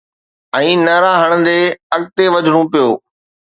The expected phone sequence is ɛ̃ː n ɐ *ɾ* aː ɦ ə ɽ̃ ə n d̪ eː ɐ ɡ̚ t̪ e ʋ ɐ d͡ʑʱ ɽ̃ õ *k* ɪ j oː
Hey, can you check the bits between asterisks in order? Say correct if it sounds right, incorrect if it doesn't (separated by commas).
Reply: correct, incorrect